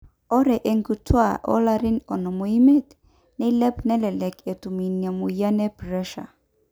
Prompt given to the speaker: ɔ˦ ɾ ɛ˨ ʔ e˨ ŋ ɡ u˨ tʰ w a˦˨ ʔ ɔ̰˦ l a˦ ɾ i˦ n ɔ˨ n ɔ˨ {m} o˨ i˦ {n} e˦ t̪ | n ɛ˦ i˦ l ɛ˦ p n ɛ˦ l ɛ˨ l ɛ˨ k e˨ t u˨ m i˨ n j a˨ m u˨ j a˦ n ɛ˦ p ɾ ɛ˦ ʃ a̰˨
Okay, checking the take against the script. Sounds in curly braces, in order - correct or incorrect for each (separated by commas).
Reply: correct, incorrect